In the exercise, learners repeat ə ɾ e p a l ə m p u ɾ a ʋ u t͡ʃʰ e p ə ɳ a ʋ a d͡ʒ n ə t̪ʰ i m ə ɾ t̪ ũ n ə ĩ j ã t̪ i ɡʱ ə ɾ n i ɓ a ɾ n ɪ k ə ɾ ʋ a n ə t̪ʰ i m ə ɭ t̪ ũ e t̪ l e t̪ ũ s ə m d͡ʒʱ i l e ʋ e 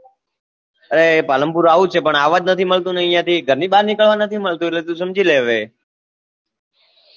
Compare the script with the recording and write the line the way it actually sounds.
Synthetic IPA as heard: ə ɾ e p a l ə m p u ɾ a ʋ u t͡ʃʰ e p ə ɳ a ʋ a d͡ʒ n ə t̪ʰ i m ə ɭ t̪ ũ n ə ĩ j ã t̪ i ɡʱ ə ɾ n i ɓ a ɾ n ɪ k ə ɭ ʋ a n ə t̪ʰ i m ə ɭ t̪ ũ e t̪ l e t̪ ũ s ə m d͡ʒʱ i l e ʋ e